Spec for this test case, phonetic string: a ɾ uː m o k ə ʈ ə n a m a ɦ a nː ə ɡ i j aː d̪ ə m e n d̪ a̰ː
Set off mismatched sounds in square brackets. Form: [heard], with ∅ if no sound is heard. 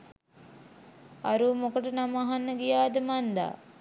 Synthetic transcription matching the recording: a ɾ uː m o k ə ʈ ə n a m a ɦ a nː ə ɡ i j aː d̪ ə m [a] n d̪ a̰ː